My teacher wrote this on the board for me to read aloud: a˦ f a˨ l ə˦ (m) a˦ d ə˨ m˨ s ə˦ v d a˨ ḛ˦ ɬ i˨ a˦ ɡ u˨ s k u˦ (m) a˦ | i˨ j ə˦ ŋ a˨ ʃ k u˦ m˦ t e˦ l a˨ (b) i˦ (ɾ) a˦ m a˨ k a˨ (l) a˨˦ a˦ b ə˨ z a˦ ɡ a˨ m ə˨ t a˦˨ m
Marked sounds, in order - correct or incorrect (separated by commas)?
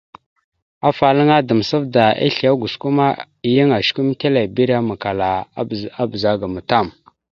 incorrect, correct, correct, correct, correct